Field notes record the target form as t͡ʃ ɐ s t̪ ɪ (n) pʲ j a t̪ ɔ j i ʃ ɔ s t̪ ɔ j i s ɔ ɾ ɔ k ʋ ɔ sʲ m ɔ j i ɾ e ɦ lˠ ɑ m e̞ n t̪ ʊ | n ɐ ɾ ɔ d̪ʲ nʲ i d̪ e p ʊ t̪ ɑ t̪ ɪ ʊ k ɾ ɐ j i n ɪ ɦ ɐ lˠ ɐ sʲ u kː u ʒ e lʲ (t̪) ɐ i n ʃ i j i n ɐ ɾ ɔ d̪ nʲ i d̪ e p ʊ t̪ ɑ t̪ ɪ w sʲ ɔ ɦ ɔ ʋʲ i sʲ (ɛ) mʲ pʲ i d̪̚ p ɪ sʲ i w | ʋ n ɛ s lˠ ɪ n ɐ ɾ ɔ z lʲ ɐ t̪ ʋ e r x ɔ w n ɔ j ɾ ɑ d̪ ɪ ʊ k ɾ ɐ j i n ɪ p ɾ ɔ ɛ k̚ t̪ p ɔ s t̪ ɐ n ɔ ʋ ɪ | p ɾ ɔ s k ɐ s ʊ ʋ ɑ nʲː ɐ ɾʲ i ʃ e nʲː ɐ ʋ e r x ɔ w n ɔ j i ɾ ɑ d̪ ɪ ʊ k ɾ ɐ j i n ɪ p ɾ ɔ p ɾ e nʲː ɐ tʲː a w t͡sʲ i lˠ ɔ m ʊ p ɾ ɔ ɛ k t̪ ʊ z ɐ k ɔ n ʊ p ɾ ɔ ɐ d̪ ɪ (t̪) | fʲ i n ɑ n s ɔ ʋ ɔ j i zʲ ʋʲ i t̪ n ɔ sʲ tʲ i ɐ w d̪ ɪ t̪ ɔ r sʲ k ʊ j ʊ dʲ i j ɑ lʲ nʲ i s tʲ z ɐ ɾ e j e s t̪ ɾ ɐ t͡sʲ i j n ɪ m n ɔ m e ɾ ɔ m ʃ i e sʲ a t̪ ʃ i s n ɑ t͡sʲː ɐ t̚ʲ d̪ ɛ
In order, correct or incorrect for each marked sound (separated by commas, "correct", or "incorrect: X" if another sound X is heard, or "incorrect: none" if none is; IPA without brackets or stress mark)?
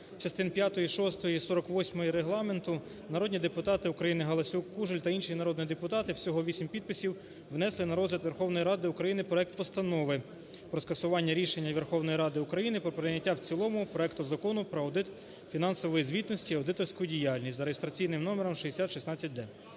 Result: correct, correct, incorrect: i, correct